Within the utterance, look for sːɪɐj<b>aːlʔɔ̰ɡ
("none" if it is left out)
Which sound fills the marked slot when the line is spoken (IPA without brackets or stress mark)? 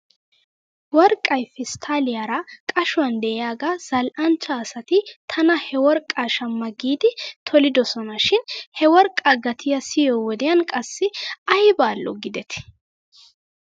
b